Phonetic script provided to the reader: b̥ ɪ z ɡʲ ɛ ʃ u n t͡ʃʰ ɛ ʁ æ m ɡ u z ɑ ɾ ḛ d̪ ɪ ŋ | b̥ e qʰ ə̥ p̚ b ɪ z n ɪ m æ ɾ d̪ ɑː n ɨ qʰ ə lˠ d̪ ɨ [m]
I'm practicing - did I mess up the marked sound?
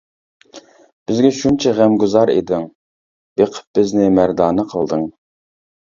yes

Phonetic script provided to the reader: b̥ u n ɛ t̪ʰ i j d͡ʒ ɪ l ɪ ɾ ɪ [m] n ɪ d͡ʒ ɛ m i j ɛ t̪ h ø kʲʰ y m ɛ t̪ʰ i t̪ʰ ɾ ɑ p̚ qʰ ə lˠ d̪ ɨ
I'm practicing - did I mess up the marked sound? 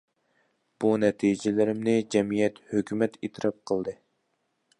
no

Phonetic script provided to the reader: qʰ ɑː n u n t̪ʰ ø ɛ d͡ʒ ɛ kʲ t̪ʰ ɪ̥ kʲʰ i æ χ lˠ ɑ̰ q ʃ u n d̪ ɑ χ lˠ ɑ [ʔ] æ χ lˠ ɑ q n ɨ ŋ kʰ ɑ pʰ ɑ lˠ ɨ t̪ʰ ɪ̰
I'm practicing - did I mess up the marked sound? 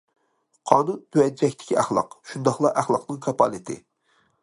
no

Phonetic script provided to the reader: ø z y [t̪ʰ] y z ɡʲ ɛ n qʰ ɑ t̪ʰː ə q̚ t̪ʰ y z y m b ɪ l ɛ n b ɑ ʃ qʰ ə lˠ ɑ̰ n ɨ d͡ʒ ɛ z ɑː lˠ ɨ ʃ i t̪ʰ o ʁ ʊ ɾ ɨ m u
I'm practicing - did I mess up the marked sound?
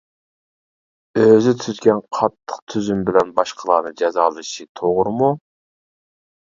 no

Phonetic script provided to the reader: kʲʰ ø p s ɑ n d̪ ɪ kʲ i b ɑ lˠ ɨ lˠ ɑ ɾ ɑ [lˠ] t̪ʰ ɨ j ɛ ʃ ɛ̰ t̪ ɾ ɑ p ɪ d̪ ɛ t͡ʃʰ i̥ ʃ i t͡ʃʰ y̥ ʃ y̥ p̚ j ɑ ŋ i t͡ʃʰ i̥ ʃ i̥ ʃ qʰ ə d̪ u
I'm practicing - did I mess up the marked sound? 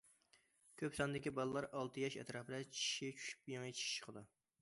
no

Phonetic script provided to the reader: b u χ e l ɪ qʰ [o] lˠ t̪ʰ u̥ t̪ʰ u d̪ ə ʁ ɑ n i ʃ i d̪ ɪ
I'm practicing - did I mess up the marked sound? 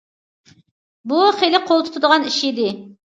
no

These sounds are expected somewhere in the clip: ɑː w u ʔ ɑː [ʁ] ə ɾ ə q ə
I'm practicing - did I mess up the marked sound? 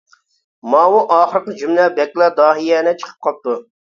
yes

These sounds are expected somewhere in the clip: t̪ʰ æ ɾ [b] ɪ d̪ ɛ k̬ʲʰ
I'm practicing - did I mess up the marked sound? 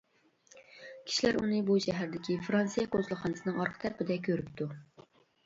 yes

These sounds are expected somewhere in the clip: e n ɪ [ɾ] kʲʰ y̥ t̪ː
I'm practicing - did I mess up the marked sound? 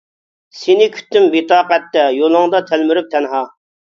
yes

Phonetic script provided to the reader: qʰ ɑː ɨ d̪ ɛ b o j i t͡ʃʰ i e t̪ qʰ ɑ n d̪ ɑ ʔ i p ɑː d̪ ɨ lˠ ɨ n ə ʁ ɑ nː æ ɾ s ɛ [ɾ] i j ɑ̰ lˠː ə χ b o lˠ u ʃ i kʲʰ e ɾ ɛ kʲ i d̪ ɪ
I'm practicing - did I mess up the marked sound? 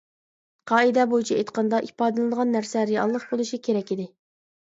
no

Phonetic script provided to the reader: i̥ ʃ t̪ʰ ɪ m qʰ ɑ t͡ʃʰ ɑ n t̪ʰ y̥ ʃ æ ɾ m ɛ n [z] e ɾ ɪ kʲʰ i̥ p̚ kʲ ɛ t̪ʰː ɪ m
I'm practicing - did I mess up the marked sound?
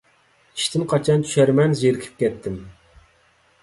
no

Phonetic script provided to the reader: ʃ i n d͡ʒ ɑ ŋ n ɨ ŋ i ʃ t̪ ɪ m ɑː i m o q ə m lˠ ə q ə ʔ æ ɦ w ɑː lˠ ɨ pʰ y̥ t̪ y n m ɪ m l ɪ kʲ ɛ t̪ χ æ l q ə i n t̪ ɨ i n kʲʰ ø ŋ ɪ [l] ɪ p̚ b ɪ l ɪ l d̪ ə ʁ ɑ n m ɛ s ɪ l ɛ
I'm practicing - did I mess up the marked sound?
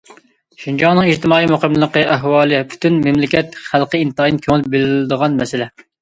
no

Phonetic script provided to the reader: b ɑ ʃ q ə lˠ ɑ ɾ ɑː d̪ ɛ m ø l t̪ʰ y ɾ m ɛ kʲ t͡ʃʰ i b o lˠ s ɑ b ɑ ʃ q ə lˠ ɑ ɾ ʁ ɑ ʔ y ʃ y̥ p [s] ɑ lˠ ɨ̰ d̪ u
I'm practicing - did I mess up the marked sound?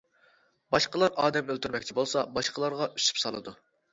no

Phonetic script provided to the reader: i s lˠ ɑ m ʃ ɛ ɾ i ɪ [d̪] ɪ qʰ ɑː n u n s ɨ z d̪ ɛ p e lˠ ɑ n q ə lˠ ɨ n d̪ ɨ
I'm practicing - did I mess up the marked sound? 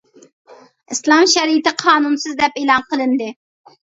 yes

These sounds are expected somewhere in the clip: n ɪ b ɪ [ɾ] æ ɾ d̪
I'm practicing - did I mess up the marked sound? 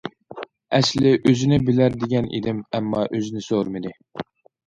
yes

